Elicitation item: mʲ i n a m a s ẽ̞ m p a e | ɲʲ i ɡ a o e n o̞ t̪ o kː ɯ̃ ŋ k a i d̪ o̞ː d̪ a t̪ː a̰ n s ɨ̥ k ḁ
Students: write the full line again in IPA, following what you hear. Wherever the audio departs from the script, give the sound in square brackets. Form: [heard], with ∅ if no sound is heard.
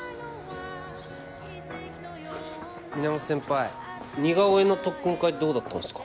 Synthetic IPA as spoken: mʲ i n a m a s ẽ̞ m p a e | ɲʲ i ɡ a o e n o̞ t̪ o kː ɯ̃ ŋ k a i d̪ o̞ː d̪ a t̪ː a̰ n s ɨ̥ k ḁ

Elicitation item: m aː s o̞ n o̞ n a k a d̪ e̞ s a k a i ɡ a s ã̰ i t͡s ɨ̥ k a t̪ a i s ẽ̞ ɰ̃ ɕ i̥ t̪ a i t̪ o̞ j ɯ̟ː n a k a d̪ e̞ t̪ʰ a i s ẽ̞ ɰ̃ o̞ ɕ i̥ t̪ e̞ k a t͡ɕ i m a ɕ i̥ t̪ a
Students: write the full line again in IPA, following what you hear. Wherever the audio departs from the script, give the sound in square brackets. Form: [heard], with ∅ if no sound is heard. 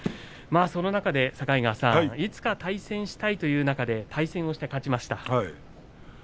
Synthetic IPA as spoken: m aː s o̞ n o̞ n a k a d̪ e̞ s a k a i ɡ a s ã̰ i t͡s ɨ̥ k a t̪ a i s ẽ̞ ɰ̃ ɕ i̥ t̪ a i t̪ o̞ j ɯ̟ː n a k a d̪ e̞ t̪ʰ a i s ẽ̞ ɰ̃ o̞ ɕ i̥ t̪ e̞ k a t͡ɕ i m a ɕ i̥ t̪ a

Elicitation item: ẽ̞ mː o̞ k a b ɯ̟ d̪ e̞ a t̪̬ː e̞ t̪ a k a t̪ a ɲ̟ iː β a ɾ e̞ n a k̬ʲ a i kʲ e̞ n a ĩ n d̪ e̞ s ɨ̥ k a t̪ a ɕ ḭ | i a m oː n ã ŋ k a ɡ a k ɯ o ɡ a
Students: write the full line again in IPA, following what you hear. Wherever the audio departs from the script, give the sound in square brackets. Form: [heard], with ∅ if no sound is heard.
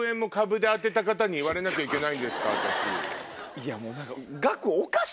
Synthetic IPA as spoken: ẽ̞ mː o̞ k a b ɯ̟ d̪ e̞ a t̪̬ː e̞ t̪ a k a t̪ a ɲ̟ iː β a ɾ e̞ n a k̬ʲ a i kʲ e̞ n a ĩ n d̪ e̞ s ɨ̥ k a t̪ a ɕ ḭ | i a m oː n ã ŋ k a ɡ a k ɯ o [k] a

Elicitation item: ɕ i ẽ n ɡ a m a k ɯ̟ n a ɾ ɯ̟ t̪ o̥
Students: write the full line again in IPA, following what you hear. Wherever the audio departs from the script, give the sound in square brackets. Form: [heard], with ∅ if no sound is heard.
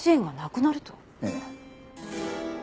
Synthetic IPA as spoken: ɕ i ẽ [ŋ] ɡ a [n] a k ɯ̟ n a ɾ ɯ̟ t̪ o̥

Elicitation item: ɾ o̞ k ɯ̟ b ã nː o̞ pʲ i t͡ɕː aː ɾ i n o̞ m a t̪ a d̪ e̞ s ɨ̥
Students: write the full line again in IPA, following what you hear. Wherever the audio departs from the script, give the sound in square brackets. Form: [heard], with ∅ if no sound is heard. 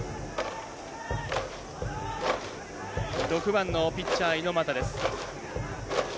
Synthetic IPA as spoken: ɾ o̞ k ɯ̟ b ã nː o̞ pʲ i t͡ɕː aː [∅] i n o̞ m a t̪ a d̪ e̞ s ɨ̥

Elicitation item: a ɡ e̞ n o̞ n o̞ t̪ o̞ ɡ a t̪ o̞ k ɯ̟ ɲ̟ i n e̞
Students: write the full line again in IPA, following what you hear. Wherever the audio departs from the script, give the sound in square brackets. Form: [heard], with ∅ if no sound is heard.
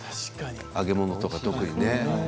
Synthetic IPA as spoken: a ɡ e̞ [m] o̞ n o̞ t̪ o̞ [k] a t̪ o̞ k ɯ̟ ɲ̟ i n e̞

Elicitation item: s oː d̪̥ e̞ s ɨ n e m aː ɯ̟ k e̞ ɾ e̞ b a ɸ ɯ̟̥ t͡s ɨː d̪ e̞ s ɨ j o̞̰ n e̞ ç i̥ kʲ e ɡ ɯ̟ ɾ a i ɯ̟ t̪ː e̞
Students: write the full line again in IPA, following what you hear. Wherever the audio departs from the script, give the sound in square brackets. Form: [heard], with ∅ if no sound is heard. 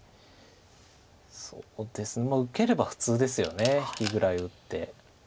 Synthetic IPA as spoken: s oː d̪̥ e̞ s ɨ n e m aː ɯ̟ k e̞ ɾ e̞ b a ɸ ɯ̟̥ t͡s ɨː d̪ e̞ s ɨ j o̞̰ n e̞ ç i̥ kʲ [i] ɡ ɯ̟ ɾ a i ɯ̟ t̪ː e̞

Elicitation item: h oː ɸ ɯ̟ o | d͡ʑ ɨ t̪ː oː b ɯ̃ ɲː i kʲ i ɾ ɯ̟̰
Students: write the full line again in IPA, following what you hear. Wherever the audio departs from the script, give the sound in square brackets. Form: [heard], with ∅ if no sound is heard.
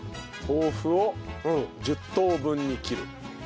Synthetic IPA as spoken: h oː ɸ ɯ̟ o | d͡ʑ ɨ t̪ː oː b ɯ̃ ɲː i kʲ i ɾ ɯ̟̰

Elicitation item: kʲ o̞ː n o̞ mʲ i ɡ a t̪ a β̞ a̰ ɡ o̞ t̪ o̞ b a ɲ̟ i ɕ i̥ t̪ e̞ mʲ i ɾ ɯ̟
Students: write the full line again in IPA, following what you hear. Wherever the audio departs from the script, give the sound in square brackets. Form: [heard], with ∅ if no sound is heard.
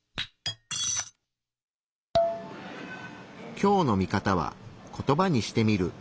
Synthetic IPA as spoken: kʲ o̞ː n o̞ mʲ i [k] a t̪ a β̞ a̰ [k] o̞ t̪ o̞ b a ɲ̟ i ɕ i̥ t̪ e̞ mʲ i ɾ ɯ̟

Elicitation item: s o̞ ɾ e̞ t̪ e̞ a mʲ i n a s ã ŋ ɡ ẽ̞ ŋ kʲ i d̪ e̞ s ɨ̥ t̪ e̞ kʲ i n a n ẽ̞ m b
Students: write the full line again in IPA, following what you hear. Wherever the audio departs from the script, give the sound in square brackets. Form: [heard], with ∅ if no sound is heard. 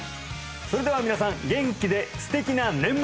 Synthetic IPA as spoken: s o̞ ɾ e̞ [d̪] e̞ a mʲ i n a s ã ŋ ɡ ẽ̞ ŋ kʲ i d̪ e̞ s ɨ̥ t̪ e̞ kʲ i n a n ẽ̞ m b

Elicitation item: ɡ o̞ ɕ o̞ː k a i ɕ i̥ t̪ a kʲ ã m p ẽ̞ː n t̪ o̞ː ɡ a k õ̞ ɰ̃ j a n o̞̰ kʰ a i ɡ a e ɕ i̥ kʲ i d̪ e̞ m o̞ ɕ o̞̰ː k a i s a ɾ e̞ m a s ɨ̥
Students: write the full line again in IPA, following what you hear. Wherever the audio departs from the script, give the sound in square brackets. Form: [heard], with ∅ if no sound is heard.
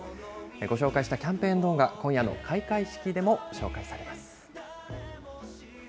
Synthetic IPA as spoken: ɡ o̞ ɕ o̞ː k a i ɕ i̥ t̪ a kʲ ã m p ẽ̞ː n [d̪] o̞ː ɡ a k õ̞ ɰ̃ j a n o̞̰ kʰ a i [k] a [i] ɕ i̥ kʲ i d̪ e̞ m o̞ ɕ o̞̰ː k a i s a ɾ e̞ m a s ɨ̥

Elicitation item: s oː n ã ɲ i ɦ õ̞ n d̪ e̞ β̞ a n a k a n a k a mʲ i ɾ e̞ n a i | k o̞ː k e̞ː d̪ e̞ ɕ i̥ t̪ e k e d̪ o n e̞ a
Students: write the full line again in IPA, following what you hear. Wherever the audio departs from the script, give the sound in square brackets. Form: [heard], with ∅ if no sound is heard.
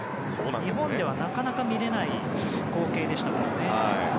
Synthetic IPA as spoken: s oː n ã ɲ i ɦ õ̞ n d̪ e̞ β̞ a n a k a n a k a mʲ i ɾ e̞ n a i | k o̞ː k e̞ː d̪ e̞ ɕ i̥ t̪ [a] k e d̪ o n e̞ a

